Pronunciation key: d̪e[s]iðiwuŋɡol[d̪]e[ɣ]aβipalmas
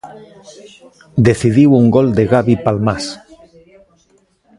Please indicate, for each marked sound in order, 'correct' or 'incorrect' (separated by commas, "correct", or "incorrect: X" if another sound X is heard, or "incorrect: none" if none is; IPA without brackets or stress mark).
incorrect: θ, correct, correct